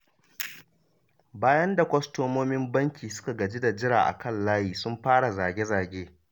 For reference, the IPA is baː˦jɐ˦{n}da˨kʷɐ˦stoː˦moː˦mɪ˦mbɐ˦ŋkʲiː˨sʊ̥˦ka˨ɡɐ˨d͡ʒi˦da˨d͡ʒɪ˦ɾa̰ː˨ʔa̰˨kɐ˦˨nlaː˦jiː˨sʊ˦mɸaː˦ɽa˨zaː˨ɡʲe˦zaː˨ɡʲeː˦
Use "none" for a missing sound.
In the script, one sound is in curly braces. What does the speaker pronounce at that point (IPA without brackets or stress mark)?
n